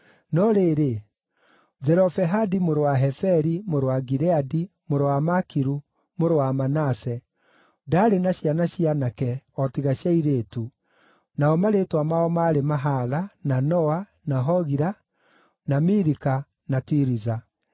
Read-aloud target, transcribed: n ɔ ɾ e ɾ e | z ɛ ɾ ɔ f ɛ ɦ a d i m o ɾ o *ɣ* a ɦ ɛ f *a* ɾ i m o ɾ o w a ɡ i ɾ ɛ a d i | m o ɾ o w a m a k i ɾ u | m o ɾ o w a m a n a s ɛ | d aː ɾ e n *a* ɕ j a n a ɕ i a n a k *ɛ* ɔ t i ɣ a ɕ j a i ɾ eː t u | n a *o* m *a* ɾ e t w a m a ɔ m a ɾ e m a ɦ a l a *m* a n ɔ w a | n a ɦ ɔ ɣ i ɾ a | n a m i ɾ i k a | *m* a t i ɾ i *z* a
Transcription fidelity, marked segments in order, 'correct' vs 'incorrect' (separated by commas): incorrect, incorrect, correct, correct, incorrect, correct, incorrect, incorrect, correct